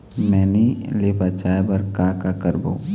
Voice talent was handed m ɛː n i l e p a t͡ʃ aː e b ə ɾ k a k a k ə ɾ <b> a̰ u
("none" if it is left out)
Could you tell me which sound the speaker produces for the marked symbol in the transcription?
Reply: b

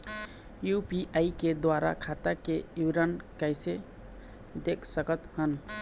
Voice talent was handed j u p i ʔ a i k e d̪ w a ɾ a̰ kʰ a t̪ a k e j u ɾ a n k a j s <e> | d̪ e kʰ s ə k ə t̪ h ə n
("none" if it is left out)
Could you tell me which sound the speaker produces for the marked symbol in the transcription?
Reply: e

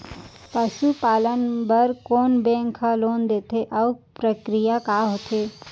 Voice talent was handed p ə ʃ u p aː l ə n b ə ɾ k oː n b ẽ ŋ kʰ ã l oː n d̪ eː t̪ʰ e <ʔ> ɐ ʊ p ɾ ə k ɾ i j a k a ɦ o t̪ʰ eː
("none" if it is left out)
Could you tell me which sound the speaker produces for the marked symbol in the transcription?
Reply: ʔ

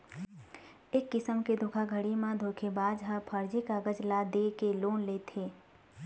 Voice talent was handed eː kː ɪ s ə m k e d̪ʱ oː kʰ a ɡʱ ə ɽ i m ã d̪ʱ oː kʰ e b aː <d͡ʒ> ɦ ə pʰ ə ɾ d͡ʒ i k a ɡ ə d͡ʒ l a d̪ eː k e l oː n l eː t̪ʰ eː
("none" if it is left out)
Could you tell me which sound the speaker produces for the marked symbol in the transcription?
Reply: d͡ʒ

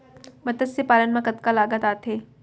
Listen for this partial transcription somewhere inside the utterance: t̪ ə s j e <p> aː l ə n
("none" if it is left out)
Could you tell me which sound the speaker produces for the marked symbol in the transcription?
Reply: p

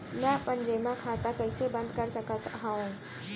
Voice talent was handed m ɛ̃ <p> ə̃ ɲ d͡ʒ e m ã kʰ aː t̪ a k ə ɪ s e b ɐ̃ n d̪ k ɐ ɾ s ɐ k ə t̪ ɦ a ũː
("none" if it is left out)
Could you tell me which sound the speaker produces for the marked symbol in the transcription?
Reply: p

